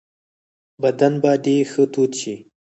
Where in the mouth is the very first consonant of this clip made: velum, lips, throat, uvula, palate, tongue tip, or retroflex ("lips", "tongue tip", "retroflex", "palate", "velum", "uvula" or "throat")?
lips